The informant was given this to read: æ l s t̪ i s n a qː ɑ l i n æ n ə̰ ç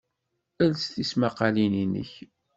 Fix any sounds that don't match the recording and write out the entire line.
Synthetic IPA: æ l s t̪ i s m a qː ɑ l i n i n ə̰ ç